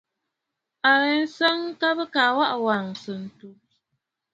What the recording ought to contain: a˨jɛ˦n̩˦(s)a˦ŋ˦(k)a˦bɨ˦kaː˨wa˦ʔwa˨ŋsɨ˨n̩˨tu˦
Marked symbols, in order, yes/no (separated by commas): yes, yes